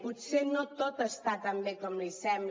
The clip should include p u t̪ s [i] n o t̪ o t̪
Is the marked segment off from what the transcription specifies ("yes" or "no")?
yes